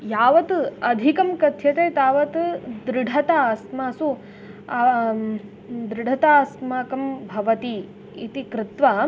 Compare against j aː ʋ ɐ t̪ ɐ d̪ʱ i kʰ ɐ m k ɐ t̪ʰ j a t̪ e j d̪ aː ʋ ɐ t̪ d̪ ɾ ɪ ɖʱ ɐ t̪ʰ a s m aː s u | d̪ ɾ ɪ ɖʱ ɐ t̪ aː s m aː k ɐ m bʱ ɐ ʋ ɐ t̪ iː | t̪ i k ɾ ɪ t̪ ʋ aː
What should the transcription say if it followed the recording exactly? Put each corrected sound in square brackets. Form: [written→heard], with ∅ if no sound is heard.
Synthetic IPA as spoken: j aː ʋ ɐ t̪ ɐ d̪ʱ i [kʰ→k] ɐ m k ɐ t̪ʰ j [a→ɐ] t̪ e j [d̪→t̪] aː ʋ ɐ t̪ d̪ ɾ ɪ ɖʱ ɐ [t̪ʰ→t̪] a s m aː s u | d̪ ɾ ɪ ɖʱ ɐ t̪ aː s m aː k ɐ m bʱ ɐ ʋ ɐ t̪ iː | t̪ i k ɾ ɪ t̪ ʋ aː